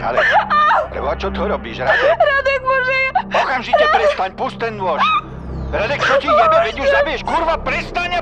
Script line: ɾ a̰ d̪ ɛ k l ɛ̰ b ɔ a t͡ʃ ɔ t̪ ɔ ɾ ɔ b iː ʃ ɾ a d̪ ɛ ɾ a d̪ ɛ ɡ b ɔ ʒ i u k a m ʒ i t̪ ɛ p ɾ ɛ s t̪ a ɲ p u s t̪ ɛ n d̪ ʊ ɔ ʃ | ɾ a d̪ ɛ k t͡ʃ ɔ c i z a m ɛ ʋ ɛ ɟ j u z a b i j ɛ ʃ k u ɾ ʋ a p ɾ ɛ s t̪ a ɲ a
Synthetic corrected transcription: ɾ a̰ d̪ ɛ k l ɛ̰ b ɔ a t͡ʃ ɔ t̪ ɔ ɾ ɔ b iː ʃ ɾ a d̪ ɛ ɾ a d̪ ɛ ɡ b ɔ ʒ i ɔ k a m ʒ i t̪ ɛ p ɾ ɛ s t̪ a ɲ p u s t̪ ɛ n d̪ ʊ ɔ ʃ | ɾ a d̪ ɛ k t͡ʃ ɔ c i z a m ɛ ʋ ɛ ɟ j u z a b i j ɛ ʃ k u ɾ ʋ a p ɾ ɛ s t̪ a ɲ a